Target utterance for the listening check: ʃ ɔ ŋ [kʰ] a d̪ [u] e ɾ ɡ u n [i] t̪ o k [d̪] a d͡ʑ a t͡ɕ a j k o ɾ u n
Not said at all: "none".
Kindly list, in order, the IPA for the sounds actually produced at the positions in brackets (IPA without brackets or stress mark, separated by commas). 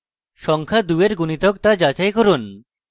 kʰ, u, i, t̪